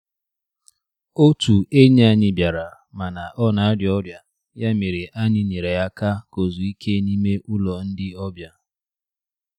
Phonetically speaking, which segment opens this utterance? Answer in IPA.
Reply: o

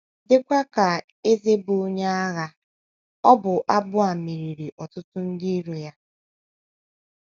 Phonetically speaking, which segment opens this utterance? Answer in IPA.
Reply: d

